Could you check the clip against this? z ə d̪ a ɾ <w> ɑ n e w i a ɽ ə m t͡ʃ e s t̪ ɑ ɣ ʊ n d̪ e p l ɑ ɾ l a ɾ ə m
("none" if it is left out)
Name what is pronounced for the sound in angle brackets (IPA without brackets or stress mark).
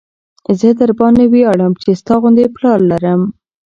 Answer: b